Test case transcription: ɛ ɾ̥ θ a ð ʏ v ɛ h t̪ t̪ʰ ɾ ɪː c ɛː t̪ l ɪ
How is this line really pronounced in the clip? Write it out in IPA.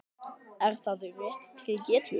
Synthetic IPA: ɛ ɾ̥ θ a ð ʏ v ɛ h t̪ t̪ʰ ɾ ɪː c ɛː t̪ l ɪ